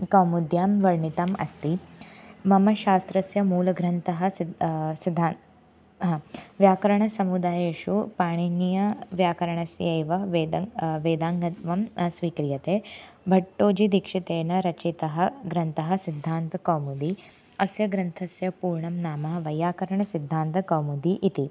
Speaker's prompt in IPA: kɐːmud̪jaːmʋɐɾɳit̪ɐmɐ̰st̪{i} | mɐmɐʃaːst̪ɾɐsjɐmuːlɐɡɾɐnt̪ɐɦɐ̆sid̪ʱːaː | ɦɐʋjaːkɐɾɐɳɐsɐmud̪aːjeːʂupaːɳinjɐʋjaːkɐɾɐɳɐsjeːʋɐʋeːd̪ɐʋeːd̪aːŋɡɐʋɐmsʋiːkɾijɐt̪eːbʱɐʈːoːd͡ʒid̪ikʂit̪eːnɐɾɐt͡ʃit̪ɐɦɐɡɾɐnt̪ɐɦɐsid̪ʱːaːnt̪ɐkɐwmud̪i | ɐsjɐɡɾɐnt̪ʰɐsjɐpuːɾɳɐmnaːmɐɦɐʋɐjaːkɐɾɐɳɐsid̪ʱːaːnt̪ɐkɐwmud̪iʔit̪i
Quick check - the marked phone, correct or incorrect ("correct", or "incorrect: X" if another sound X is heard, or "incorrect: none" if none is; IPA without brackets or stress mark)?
correct